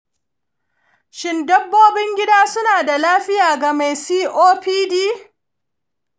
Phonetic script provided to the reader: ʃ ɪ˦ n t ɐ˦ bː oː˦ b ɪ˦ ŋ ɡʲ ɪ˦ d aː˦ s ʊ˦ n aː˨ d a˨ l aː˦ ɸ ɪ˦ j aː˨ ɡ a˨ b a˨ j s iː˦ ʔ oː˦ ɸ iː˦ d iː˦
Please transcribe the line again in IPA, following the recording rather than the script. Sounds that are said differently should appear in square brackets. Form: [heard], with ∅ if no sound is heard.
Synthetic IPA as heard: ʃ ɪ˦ n [d] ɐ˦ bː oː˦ b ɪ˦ ŋ ɡʲ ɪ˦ d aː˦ s ʊ˦ n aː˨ d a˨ l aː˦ ɸ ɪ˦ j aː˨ ɡ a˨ [m] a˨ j s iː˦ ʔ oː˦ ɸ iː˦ d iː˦